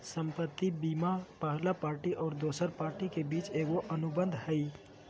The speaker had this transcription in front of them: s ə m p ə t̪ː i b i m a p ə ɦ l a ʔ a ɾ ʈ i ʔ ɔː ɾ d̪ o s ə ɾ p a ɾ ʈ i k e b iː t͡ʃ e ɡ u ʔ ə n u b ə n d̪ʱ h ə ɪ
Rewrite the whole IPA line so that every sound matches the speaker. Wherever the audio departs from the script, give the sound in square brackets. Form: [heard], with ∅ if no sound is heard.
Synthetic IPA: s ə m p ə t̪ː i b i m a p ə ɦ l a [p] a ɾ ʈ i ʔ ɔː ɾ d̪ o s ə ɾ p a ɾ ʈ i k e b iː t͡ʃ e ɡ [o] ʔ ə n u b ə n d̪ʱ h ə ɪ